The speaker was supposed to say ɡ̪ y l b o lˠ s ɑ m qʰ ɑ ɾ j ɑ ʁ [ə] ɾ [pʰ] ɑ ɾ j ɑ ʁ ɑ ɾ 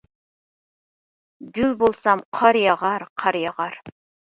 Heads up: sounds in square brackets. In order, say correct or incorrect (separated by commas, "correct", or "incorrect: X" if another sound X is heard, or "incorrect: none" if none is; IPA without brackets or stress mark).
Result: incorrect: ɑ, incorrect: qʰ